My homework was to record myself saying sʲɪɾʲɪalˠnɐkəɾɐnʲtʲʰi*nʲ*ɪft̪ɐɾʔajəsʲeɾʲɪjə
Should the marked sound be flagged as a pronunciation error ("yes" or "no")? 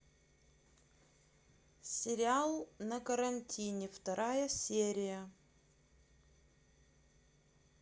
no